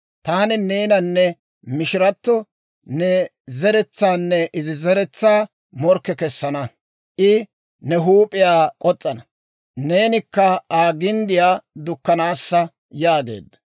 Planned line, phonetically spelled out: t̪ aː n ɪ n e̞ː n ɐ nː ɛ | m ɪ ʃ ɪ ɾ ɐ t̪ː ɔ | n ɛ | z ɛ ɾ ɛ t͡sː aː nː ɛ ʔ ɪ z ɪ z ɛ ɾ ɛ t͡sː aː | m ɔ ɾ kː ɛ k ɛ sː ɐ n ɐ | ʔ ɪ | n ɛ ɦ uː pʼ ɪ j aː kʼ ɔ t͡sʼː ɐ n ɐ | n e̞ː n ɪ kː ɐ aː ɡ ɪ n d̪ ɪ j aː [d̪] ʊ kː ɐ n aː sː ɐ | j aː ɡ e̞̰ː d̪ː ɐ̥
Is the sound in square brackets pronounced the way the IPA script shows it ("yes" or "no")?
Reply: yes